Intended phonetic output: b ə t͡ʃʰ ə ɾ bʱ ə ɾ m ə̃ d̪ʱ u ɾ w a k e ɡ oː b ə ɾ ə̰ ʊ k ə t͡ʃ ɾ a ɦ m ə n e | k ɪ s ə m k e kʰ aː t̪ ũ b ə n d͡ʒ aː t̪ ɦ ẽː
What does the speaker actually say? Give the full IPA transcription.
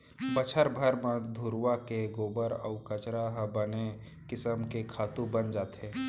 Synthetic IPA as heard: b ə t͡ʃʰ ə ɾ bʱ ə ɾ m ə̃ d̪ʱ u ɾ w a k e ɡ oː b ə ɾ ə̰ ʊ k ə t͡ʃ ɾ a ɦ b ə n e | k ɪ s ə m k e kʰ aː t̪ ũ b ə n d͡ʒ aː t̪ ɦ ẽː